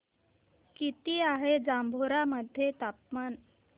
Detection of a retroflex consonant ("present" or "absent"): absent